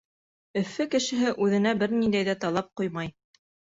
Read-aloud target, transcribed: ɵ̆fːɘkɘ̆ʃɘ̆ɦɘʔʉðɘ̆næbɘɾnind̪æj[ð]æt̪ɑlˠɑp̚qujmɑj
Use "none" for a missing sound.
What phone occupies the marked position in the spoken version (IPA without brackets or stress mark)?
ð